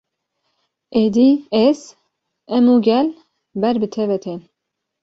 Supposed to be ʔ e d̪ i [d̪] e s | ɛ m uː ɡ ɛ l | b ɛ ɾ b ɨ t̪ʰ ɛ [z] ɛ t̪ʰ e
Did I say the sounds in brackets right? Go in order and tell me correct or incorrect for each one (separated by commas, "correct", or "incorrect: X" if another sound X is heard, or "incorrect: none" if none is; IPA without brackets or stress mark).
incorrect: none, incorrect: v